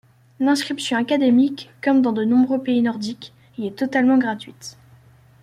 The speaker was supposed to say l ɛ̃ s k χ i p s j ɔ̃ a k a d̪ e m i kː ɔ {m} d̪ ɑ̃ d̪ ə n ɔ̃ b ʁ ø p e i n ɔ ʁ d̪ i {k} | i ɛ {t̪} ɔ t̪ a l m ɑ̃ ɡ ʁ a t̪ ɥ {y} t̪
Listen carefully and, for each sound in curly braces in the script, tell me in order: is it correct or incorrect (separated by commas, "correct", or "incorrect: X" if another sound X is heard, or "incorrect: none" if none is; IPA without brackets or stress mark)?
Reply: correct, correct, correct, incorrect: i